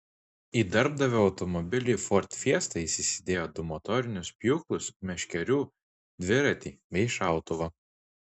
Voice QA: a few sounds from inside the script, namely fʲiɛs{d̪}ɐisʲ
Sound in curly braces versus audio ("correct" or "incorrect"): incorrect